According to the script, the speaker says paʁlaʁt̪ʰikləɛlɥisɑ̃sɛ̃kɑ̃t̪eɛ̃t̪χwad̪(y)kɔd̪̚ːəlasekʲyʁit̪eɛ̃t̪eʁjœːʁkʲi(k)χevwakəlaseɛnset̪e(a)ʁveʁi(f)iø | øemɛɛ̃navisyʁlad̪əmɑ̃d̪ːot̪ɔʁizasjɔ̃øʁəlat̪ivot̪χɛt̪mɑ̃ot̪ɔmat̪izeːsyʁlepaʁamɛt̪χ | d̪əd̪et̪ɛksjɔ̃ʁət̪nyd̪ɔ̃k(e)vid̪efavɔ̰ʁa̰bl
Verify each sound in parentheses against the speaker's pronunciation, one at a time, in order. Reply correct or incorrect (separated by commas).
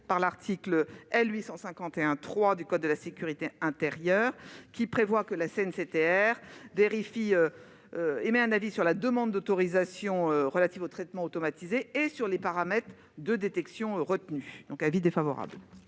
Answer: correct, incorrect, incorrect, correct, incorrect